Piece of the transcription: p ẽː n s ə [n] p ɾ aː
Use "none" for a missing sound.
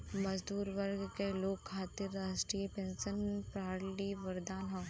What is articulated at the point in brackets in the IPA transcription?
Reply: n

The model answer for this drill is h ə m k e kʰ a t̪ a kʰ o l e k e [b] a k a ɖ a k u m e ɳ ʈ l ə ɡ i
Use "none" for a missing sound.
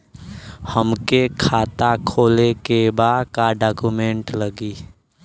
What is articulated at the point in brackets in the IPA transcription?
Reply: b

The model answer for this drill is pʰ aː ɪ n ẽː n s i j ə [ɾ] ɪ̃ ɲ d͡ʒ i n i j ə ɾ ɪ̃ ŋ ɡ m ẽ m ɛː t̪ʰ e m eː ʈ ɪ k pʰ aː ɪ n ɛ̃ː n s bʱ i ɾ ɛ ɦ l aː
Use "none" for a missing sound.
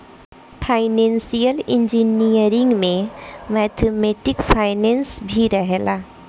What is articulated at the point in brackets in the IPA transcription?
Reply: l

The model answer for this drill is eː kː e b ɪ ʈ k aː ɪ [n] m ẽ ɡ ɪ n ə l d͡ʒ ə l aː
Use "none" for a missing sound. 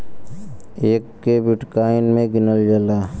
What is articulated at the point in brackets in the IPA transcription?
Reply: n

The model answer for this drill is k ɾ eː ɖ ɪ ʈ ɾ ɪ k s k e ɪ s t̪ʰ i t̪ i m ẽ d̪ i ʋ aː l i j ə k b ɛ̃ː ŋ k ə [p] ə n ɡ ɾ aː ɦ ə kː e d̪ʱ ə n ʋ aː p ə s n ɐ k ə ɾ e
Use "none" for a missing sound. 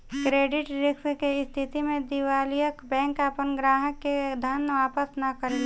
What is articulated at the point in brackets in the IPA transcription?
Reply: p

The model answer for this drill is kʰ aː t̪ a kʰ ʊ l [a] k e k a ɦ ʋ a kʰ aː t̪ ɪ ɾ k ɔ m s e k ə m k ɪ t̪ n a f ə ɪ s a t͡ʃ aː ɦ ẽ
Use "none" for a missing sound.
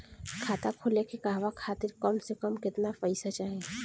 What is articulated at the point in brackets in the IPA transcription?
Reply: e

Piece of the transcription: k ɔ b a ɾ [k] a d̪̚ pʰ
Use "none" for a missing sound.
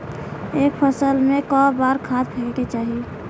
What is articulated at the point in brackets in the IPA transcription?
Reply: kʰ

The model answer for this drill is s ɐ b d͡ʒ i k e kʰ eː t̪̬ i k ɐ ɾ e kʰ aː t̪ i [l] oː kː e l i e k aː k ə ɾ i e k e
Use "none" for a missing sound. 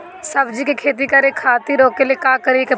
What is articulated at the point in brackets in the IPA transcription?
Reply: ɾ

